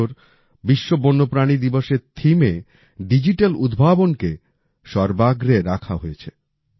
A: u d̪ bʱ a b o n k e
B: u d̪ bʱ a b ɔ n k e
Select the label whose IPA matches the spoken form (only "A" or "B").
A